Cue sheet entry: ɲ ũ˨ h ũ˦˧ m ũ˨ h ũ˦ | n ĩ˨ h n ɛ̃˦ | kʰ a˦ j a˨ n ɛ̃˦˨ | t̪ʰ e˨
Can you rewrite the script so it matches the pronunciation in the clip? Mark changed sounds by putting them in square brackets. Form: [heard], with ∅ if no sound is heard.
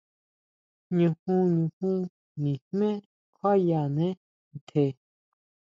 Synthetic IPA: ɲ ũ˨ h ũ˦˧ [ɲ] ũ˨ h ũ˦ | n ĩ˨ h [m] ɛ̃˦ | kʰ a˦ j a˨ n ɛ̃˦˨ | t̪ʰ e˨